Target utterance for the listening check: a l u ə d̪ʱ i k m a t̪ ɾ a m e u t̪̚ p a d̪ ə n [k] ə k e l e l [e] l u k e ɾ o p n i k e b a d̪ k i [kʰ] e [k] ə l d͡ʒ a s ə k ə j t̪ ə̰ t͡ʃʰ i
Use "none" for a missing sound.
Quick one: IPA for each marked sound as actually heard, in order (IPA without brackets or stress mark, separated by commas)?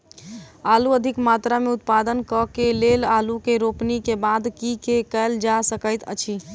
k, a, k, k